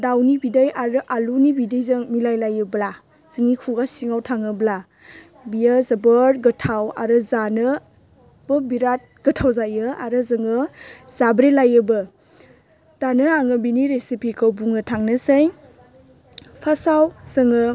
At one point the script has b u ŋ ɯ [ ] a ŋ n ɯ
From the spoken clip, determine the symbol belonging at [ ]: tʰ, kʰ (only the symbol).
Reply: tʰ